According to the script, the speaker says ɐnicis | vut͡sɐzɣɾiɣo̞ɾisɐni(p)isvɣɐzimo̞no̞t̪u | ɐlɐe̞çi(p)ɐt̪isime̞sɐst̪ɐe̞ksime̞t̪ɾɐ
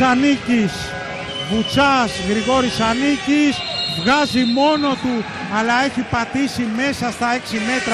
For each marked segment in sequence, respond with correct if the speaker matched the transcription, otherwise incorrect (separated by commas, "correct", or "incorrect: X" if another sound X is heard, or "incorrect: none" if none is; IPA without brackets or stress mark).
incorrect: c, correct